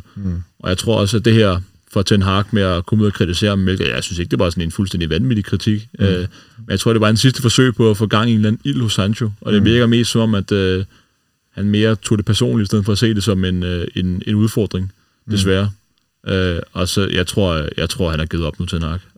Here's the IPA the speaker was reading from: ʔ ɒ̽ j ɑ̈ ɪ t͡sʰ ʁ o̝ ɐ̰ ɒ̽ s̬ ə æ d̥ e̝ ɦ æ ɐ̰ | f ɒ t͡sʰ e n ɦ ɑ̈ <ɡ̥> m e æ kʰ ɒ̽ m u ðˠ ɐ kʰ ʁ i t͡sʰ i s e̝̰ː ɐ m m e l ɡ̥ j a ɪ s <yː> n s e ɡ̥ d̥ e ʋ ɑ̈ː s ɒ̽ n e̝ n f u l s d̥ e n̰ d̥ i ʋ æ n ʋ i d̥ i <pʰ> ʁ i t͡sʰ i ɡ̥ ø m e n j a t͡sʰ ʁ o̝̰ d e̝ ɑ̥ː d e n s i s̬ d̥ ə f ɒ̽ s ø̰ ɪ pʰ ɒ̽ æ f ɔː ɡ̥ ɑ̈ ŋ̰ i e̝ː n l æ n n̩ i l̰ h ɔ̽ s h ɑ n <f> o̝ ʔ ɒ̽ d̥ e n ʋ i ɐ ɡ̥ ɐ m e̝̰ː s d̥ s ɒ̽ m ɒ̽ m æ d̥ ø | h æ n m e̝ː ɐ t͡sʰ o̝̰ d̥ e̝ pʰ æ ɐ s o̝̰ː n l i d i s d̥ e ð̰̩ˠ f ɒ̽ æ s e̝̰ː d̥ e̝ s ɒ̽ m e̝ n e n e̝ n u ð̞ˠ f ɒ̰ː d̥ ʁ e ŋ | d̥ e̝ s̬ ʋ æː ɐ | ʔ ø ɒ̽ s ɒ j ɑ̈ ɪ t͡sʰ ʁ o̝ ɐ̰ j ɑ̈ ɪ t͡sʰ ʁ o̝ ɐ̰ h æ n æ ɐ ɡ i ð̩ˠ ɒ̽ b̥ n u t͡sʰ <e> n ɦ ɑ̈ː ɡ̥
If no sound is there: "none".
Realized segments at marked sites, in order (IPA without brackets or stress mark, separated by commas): ɡ̥, y, kʰ, ɕ, e